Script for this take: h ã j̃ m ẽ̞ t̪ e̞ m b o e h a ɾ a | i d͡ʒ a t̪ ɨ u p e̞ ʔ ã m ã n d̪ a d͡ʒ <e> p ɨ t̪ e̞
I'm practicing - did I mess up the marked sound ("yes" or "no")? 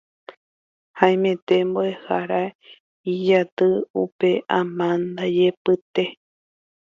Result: no